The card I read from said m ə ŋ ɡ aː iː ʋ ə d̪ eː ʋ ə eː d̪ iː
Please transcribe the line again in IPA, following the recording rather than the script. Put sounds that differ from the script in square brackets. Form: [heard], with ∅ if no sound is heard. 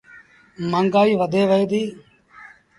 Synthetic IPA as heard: m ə ŋ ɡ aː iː ʋ ə d̪ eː ʋ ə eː d̪ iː